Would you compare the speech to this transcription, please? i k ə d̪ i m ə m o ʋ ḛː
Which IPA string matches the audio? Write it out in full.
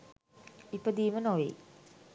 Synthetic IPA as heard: i p ə d̪ iː m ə n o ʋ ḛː